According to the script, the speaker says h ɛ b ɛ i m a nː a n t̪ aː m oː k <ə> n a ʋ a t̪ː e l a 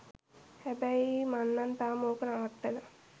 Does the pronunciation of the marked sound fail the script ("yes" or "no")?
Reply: no